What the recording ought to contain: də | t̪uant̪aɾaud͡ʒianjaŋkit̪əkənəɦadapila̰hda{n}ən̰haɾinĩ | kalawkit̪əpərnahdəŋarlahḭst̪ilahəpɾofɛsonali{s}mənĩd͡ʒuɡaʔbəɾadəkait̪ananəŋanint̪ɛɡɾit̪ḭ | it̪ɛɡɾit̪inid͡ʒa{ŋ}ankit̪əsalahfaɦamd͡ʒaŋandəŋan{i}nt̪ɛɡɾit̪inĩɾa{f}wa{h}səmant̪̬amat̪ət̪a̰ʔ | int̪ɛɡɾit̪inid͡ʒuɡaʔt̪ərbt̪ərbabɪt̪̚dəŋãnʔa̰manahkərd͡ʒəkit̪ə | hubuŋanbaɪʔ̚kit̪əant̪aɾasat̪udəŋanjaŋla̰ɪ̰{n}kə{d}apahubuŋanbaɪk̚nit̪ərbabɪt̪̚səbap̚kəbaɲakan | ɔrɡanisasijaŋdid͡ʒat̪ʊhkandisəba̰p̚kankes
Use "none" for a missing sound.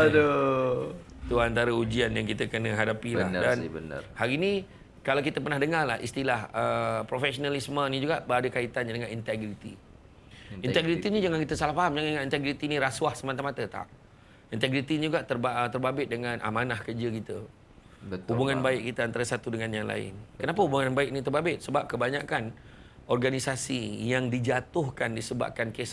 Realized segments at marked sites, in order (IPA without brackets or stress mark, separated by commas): n, s, ŋ, i, s, h, n, n